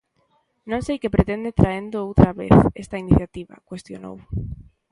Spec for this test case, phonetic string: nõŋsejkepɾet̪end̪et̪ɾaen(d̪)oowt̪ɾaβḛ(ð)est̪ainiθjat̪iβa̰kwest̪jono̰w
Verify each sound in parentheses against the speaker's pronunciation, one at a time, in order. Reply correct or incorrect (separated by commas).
correct, incorrect